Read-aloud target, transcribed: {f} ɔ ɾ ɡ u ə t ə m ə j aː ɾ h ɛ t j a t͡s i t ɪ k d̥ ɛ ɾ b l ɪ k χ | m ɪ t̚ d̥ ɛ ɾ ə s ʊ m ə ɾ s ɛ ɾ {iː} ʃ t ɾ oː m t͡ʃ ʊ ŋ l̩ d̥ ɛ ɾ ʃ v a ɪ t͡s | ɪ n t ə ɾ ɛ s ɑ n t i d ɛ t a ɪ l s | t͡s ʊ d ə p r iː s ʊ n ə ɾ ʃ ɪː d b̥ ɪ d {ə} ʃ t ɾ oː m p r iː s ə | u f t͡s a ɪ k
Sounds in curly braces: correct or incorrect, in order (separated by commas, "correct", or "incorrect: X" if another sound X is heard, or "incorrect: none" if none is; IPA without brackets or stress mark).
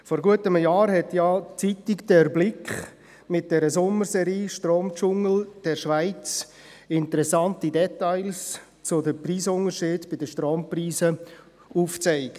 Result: correct, correct, correct